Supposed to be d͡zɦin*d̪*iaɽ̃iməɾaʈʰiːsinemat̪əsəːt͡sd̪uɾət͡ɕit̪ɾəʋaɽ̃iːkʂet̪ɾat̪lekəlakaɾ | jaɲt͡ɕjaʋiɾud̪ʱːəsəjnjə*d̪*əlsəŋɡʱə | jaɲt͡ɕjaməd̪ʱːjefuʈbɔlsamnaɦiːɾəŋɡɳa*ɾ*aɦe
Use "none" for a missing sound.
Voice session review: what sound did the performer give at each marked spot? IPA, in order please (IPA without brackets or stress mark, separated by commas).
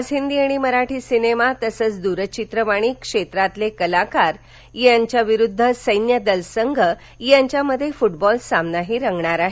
d̪, d̪, ɾ